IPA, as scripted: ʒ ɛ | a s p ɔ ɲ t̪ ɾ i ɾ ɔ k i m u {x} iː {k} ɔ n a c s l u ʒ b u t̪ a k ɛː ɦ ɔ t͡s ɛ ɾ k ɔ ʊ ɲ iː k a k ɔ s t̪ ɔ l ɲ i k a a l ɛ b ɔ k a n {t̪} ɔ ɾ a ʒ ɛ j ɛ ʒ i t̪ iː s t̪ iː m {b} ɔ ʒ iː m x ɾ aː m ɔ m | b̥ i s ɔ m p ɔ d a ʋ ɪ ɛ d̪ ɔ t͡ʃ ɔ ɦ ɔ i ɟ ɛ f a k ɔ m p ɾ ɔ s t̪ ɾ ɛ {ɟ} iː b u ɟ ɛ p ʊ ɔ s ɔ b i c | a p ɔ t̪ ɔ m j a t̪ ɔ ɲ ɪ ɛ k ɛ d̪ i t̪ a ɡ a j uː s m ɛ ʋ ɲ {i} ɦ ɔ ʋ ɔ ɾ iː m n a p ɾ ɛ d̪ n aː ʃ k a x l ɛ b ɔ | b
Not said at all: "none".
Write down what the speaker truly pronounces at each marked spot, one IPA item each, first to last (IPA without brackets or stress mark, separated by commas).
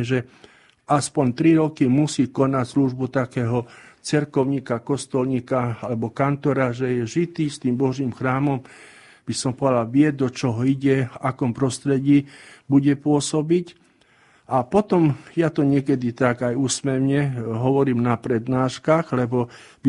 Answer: s, k, t̪, b, ɟ, ɛ